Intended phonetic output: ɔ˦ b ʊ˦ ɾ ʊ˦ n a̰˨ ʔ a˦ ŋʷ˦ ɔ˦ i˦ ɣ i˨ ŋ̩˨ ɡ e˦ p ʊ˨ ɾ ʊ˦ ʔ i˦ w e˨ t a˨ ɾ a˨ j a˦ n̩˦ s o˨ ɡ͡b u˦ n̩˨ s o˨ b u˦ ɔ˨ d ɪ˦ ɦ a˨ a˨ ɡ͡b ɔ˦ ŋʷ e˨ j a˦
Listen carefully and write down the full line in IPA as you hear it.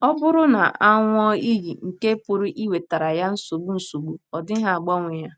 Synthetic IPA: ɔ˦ b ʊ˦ ɾ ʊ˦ n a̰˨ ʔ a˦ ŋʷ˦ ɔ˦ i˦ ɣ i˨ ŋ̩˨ k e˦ p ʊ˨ ɾ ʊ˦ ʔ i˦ w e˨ t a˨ ɾ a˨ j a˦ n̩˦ s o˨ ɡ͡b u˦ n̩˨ s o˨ ɡ͡b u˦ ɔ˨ d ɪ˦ ɦ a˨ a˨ ɡ͡b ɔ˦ ŋʷ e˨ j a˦